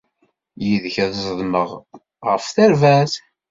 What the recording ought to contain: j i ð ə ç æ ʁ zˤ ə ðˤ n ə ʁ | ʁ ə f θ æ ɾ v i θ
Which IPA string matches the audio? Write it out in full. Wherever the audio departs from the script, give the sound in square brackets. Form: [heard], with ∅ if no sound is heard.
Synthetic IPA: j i ð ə ç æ [ð] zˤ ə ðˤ [m] ə ʁ | ʁ ə f θ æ ɾ v [æ] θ